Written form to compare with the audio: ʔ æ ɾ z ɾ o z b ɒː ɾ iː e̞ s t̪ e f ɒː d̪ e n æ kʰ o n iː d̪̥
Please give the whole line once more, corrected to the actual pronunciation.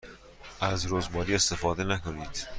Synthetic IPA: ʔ æ z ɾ o z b ɒː ɾ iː e̞ s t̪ e f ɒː d̪ e n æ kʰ o n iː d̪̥